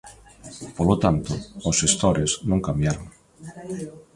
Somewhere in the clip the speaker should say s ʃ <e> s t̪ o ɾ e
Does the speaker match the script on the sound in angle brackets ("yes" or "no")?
yes